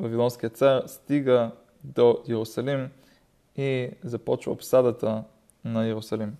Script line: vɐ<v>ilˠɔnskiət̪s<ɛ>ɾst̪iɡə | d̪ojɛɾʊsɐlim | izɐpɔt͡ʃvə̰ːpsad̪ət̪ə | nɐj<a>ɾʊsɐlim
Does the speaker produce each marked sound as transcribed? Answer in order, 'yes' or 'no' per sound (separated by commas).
yes, no, no